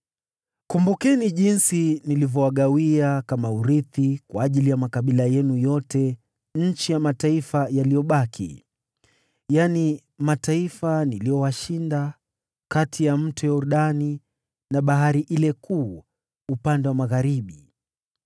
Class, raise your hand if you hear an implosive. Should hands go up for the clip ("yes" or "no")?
yes